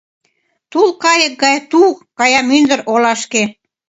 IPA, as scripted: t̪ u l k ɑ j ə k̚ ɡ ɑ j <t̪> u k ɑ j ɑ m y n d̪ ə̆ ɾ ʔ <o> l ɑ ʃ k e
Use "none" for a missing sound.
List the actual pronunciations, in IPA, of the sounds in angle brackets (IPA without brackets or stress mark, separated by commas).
t̪, o